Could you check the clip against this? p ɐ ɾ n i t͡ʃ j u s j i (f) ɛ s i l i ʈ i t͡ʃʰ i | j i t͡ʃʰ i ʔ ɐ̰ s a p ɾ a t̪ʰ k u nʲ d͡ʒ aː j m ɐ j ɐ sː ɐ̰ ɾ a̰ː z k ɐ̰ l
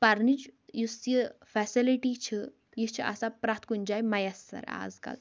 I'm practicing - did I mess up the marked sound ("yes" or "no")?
no